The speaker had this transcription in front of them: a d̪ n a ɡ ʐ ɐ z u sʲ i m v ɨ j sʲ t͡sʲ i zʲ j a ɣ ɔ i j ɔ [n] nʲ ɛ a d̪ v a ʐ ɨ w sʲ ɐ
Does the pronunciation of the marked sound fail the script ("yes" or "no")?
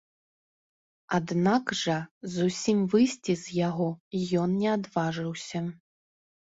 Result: no